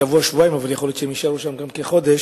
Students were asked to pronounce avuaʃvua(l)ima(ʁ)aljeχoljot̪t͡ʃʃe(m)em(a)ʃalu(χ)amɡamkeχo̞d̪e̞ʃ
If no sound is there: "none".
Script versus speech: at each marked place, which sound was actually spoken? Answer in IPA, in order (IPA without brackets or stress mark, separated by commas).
none, v, none, i, ʃ